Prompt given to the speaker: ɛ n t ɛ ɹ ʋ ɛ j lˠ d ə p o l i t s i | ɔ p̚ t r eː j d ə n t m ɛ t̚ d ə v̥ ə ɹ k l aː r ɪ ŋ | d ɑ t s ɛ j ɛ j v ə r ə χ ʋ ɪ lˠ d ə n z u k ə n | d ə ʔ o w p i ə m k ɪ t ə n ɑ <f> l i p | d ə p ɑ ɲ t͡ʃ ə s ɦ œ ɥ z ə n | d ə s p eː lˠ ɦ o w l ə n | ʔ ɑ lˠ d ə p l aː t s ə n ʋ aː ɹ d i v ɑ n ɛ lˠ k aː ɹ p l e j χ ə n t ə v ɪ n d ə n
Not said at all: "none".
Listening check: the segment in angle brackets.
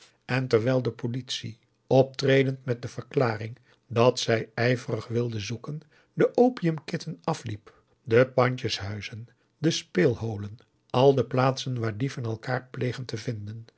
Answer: f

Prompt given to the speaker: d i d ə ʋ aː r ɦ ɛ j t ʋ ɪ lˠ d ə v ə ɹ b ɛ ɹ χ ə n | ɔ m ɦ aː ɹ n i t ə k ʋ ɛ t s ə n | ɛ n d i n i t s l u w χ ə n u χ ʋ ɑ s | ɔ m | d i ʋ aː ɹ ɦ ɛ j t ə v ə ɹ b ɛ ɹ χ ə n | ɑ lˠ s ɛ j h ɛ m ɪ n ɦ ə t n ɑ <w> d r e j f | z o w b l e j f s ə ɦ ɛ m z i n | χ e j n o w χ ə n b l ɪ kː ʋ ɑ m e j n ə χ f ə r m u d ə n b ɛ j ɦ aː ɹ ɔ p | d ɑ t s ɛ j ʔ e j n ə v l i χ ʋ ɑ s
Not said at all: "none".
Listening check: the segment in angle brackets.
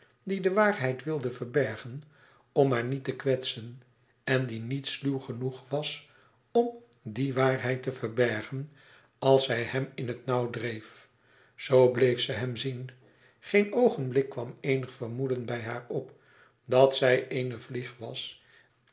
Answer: w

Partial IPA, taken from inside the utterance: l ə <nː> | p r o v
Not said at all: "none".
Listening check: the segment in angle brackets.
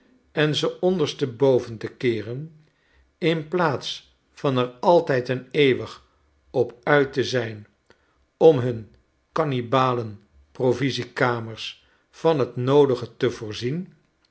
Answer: n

